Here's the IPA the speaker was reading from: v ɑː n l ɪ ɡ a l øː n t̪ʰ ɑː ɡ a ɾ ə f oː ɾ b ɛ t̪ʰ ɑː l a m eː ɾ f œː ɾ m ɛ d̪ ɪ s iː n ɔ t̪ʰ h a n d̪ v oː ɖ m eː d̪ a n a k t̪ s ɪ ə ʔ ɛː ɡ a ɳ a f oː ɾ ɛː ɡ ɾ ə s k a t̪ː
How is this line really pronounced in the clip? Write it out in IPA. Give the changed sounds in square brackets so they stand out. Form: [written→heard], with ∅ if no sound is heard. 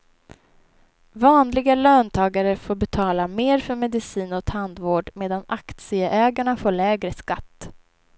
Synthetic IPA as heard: v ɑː n l ɪ ɡ a l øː n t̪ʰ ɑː ɡ a ɾ ə f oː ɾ b ɛ t̪ʰ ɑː l a m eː ɾ f [œː→œ] ɾ m ɛ d̪ ɪ s iː n ɔ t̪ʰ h a n d̪ v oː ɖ m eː d̪ a n a k t̪ s ɪ ə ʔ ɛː ɡ a ɳ a f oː [ɾ→ɭ] ɛː ɡ ɾ ə s k a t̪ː